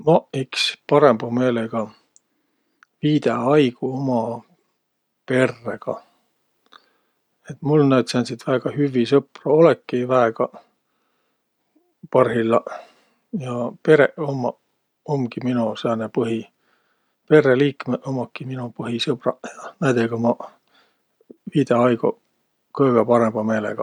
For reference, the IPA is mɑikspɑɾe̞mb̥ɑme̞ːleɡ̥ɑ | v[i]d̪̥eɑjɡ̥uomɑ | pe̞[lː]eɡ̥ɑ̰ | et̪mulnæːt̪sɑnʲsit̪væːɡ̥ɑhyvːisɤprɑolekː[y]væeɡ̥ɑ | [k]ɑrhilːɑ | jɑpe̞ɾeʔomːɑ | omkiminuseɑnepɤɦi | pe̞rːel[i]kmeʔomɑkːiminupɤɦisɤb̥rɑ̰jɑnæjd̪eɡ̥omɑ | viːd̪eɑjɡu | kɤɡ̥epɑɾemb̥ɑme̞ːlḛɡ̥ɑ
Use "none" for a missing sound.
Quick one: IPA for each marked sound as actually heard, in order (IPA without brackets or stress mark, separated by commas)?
iː, rː, i, p, iː